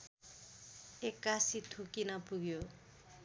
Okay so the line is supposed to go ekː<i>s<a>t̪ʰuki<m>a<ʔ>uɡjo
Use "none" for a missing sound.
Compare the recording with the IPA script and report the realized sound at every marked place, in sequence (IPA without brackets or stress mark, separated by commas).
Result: a, i, n, p